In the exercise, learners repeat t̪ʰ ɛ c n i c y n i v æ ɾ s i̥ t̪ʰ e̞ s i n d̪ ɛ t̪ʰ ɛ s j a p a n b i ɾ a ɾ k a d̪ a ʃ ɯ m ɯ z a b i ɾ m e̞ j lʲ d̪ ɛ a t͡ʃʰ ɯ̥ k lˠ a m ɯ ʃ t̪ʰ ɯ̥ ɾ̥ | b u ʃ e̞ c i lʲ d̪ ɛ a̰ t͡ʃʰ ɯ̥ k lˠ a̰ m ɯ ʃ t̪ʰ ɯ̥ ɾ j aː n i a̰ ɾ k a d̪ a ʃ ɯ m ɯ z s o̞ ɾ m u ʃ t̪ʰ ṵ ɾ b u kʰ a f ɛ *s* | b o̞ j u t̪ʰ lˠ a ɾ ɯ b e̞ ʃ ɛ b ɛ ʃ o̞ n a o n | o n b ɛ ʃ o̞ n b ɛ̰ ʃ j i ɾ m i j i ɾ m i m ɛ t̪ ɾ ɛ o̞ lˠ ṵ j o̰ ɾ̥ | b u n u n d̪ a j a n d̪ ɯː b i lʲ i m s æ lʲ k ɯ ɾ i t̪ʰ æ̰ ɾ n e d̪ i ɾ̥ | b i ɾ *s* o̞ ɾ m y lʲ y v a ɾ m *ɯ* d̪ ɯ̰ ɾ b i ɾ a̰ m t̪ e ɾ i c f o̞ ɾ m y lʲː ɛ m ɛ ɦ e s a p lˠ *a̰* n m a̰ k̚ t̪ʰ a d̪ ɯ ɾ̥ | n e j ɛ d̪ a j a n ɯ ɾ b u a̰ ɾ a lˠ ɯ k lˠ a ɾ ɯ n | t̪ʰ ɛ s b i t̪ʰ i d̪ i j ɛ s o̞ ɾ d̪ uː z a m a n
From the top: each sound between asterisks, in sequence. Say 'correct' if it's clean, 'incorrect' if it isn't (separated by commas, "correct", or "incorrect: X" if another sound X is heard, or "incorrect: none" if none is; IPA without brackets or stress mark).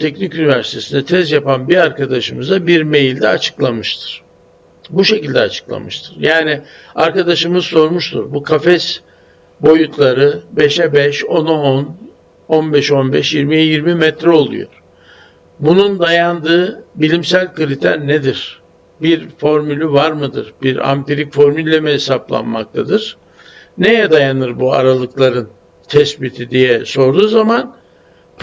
correct, incorrect: f, correct, correct